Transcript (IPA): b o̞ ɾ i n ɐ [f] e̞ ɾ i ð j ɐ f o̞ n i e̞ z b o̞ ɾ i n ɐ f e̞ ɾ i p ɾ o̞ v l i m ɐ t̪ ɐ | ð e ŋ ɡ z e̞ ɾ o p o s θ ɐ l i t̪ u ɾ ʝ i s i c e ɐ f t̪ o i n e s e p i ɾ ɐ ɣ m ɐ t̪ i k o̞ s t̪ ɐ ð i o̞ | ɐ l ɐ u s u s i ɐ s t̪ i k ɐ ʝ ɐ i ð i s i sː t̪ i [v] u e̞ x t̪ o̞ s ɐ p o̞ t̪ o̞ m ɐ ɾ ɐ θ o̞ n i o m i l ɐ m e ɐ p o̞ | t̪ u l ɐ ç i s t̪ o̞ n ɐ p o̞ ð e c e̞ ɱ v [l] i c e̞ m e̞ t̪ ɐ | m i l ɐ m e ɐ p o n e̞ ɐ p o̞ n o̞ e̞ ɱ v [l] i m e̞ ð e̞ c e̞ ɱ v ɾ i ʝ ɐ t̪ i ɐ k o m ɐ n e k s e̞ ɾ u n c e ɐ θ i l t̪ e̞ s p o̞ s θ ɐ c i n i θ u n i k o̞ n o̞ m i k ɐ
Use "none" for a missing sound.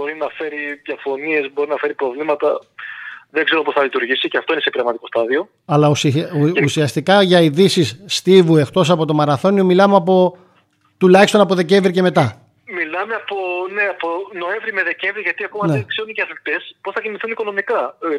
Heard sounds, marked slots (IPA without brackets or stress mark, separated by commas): f, v, ɾ, ɾ